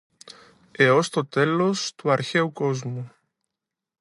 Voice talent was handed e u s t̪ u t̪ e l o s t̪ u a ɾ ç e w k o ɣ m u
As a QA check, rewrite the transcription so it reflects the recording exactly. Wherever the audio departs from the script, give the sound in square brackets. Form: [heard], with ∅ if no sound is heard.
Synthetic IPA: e [o] s t̪ [o] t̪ e l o s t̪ u a ɾ ç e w k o [z] m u

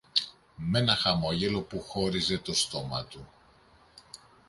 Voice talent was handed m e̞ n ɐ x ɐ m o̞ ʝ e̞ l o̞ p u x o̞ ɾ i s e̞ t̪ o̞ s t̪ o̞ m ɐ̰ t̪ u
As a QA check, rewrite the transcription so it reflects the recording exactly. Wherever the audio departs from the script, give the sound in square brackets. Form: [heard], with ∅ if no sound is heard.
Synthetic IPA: m e̞ n ɐ x ɐ m o̞ ʝ e̞ l o̞ p u x o̞ ɾ i [z] e̞ t̪ o̞ s t̪ o̞ m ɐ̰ t̪ u

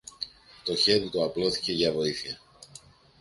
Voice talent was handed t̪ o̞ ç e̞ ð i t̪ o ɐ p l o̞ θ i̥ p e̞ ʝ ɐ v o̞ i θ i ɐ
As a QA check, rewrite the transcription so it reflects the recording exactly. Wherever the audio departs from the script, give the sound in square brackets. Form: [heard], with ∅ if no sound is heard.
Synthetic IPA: t̪ o̞ ç e̞ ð i t̪ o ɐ p l o̞ θ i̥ [c] e̞ ʝ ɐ v o̞ i θ i ɐ

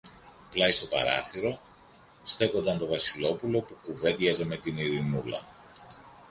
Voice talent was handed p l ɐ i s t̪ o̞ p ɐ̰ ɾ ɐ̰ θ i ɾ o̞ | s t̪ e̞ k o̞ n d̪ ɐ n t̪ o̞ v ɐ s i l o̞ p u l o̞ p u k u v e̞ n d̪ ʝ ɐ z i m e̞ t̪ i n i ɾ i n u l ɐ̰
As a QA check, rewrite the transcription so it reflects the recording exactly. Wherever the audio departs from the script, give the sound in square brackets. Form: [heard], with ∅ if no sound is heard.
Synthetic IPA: p l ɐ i s t̪ o̞ p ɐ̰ ɾ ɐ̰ θ i ɾ o̞ | s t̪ e̞ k o̞ n d̪ ɐ n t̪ o̞ v ɐ s i l o̞ p u l o̞ p u k u v e̞ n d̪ ʝ ɐ z [e] m e̞ t̪ i n i ɾ i n u l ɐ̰

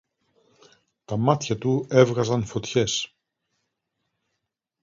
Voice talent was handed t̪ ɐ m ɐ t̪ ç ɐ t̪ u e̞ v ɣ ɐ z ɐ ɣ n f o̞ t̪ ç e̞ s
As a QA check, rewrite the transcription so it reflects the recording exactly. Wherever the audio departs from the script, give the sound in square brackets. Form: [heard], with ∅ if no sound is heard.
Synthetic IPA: t̪ ɐ m ɐ t̪ ç ɐ t̪ u e̞ v ɣ ɐ z ɐ [∅] n f o̞ t̪ ç e̞ s

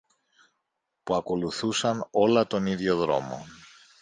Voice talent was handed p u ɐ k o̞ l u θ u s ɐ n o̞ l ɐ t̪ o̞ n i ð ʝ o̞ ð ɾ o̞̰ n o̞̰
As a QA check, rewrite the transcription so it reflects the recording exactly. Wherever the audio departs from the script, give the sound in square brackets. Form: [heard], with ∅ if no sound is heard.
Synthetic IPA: p u ɐ k o̞ l u θ u s ɐ n o̞ l ɐ t̪ o̞ n i ð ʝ o̞ ð ɾ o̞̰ [m] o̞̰

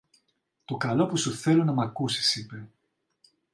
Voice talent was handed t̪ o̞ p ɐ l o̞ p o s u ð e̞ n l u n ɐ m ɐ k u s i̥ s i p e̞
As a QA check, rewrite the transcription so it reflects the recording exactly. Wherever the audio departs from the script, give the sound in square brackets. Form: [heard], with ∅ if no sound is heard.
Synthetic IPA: t̪ o̞ [k] ɐ l o̞ p [u] s u [θ] e̞ [∅] l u n ɐ m ɐ k u s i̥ s i p e̞

